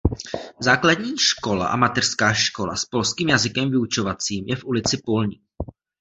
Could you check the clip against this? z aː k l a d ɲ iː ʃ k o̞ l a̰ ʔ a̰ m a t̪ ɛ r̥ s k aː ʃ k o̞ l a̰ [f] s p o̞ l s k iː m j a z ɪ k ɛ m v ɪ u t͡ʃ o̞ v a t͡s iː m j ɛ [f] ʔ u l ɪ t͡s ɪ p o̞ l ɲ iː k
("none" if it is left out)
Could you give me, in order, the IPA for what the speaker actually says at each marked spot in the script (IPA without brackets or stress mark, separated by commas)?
none, f